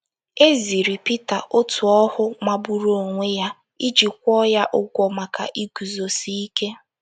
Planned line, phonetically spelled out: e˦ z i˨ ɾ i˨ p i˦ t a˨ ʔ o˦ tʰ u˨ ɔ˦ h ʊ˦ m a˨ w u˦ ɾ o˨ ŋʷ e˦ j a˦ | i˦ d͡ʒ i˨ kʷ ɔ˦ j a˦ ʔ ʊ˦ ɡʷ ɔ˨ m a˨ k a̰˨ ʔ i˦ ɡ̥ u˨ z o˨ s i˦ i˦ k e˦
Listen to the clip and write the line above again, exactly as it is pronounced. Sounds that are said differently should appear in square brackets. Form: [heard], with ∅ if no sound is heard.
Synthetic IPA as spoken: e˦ z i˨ ɾ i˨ p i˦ t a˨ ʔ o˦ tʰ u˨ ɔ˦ h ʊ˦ m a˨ [b] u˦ ɾ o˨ ŋʷ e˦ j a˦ | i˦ d͡ʒ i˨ kʷ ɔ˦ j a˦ ʔ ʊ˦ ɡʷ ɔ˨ m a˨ k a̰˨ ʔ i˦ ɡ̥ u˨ z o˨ s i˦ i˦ k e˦